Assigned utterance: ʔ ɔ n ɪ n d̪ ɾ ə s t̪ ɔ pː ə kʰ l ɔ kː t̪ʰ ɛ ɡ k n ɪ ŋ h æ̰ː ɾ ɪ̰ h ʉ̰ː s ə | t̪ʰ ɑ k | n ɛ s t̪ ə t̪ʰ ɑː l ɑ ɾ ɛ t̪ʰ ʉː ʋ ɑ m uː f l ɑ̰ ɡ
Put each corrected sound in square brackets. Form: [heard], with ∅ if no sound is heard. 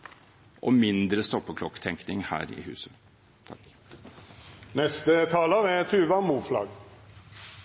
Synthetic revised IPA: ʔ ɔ [m] ɪ n d̪ ɾ ə s t̪ ɔ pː ə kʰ l ɔ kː t̪ʰ ɛ [ŋ] k n ɪ ŋ h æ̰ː ɾ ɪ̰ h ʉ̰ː s ə | t̪ʰ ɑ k | n ɛ s t̪ ə t̪ʰ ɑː l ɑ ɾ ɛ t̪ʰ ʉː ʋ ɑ m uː f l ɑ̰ ɡ